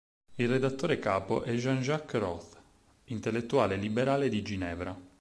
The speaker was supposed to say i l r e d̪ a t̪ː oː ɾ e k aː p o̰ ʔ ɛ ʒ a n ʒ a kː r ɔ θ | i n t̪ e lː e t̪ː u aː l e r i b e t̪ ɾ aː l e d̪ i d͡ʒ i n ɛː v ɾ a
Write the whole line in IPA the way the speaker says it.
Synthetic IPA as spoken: i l r e d̪ a t̪ː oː ɾ e k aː p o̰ ʔ ɛ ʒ a n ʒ a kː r ɔ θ | i n t̪ e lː e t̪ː u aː l e l i b e ɾ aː l e d̪ i d͡ʒ i n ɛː v ɾ a